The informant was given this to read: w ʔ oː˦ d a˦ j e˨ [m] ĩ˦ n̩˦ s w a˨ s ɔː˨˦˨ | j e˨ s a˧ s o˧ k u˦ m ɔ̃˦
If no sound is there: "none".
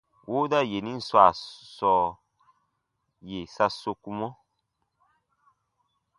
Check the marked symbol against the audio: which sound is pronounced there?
n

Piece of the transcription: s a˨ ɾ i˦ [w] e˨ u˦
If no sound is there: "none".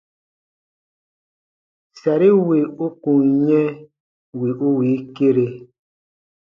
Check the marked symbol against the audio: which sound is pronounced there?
w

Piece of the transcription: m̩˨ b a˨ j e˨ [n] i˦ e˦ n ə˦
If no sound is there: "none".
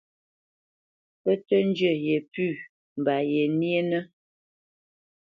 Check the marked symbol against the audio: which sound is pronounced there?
n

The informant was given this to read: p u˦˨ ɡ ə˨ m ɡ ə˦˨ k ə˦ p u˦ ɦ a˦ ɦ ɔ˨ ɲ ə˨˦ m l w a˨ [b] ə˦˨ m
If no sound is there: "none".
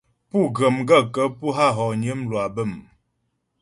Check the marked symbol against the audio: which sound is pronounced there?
b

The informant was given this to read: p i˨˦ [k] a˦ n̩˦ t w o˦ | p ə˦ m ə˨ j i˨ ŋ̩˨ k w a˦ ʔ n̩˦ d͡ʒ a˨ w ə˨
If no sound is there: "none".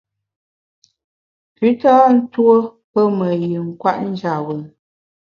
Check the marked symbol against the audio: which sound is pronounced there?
t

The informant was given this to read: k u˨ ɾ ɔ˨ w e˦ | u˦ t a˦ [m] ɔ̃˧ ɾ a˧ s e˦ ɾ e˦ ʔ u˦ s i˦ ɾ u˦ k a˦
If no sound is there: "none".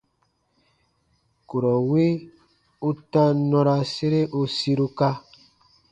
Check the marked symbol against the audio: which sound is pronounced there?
n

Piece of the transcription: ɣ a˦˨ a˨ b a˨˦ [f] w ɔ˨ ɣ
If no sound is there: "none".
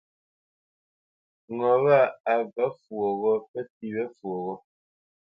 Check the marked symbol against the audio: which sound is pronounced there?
f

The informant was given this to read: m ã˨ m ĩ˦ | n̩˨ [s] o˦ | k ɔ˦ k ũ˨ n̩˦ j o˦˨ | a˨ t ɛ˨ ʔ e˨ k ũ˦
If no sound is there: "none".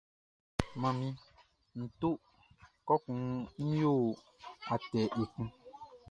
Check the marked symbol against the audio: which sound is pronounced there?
t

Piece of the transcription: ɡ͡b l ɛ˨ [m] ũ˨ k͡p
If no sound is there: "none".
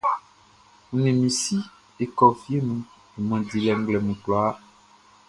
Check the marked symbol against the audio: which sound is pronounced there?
m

